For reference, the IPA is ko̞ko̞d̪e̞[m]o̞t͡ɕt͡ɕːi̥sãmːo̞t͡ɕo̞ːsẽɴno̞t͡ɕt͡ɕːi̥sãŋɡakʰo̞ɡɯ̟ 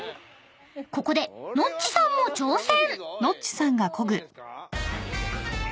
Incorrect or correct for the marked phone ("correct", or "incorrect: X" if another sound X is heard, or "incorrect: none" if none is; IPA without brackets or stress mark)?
incorrect: n